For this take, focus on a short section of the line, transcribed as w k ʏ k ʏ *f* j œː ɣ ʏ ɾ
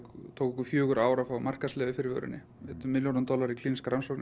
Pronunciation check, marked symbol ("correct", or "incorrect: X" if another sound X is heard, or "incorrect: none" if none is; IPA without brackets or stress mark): correct